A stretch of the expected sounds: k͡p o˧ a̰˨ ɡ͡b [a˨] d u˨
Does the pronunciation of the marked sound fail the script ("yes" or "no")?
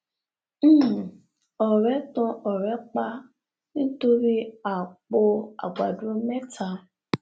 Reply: no